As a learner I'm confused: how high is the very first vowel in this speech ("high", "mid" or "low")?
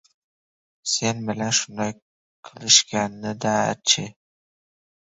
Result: mid